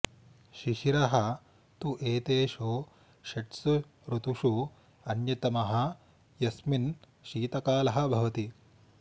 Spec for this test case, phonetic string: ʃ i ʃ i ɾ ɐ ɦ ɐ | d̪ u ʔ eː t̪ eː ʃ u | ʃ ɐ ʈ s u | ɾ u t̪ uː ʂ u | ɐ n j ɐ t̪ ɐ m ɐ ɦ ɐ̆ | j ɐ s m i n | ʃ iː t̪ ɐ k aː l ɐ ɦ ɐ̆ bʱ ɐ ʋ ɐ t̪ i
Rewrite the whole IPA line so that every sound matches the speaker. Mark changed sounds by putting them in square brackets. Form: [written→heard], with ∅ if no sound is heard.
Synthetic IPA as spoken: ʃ i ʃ i ɾ ɐ ɦ ɐ | [d̪→t̪] u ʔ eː t̪ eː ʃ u | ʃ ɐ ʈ s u | ɾ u t̪ [uː→u] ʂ u | ɐ n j ɐ t̪ ɐ m ɐ ɦ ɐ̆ | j ɐ s m i n | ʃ iː t̪ ɐ k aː l ɐ ɦ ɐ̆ bʱ ɐ ʋ ɐ t̪ i